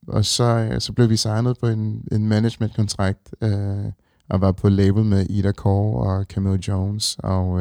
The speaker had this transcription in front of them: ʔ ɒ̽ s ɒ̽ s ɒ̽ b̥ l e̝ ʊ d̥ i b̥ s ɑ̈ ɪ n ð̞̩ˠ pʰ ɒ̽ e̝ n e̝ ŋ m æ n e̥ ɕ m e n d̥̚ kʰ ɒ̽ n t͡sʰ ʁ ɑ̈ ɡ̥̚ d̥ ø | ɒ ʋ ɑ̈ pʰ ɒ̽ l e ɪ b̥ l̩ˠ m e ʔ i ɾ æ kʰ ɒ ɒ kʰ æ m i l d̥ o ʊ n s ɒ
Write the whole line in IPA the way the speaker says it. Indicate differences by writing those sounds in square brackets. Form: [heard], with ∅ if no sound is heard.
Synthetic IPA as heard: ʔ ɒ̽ s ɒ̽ s ɒ̽ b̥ l e̝ ʊ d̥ i [∅] s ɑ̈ ɪ n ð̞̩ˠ pʰ ɒ̽ e̝ n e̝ [n] m æ n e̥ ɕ m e n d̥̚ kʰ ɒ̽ n t͡sʰ ʁ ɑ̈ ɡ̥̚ d̥ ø | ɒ ʋ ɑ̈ pʰ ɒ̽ l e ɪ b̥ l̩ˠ m e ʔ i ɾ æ kʰ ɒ ɒ kʰ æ m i l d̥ o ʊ n s ɒ